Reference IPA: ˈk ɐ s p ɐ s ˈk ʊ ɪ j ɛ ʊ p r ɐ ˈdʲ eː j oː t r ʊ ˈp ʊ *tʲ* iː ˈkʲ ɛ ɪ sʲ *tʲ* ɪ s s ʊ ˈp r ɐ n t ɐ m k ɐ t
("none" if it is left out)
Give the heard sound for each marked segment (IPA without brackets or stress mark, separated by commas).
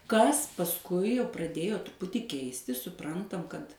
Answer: tʲ, tʲ